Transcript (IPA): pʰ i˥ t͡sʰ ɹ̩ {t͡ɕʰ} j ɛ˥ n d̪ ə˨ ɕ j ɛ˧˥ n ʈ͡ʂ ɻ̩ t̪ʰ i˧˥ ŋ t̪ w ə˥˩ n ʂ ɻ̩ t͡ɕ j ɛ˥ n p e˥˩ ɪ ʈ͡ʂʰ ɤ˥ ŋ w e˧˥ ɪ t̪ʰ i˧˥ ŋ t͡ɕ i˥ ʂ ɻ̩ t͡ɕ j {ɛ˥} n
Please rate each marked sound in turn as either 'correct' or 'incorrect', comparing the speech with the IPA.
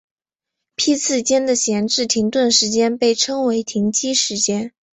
incorrect, correct

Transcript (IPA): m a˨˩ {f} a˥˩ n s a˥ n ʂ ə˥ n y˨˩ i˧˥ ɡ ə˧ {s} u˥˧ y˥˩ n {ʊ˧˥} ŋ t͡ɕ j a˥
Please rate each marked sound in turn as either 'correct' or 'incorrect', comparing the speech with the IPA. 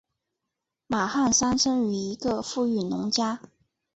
incorrect, incorrect, correct

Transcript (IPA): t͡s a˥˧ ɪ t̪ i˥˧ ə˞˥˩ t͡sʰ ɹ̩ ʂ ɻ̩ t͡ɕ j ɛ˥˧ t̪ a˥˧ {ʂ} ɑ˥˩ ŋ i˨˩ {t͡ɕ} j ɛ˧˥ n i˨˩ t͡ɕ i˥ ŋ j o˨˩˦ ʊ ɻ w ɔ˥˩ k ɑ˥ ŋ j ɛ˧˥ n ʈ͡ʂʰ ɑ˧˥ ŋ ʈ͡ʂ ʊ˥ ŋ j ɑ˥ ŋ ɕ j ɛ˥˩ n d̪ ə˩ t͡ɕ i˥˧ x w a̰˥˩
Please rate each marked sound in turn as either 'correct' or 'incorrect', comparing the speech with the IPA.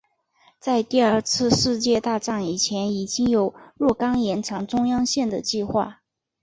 incorrect, incorrect

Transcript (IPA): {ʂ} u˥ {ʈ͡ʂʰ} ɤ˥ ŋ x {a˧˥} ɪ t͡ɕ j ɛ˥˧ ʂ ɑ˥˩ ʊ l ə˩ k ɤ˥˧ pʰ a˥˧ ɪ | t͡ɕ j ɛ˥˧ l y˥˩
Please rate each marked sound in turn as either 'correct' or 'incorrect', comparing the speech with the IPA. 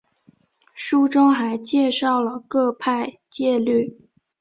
correct, incorrect, correct

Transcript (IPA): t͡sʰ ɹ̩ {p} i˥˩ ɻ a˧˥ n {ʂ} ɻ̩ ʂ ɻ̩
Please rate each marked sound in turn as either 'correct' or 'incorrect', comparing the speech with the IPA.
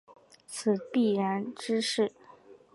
correct, incorrect

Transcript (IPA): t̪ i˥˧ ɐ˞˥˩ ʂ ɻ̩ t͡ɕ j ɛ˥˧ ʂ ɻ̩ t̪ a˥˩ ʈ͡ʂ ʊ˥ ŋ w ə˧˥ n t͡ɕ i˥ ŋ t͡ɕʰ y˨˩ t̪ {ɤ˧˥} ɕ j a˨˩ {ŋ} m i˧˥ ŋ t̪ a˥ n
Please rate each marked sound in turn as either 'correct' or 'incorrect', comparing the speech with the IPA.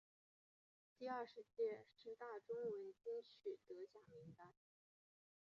correct, correct

